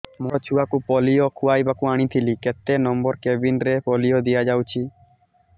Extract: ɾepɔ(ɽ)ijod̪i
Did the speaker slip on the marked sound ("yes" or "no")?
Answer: yes